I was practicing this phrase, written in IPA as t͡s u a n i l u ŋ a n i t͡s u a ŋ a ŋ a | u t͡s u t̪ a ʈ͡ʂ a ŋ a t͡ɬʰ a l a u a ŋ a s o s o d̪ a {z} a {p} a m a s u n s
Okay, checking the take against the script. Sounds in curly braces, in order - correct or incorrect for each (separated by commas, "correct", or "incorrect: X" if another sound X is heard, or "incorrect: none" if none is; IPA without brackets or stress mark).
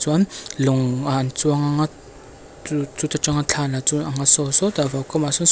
incorrect: v, incorrect: k